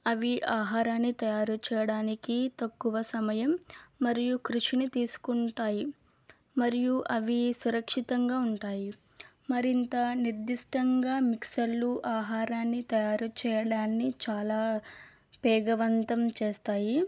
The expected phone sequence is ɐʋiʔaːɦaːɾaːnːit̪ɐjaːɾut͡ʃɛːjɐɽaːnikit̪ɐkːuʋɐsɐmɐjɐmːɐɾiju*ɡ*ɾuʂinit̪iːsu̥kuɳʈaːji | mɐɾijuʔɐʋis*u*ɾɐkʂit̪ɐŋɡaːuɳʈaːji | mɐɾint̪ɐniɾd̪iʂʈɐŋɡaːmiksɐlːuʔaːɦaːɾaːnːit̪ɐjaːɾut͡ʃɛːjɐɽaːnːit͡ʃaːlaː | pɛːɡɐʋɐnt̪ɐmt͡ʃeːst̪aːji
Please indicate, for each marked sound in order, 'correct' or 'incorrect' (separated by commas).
incorrect, correct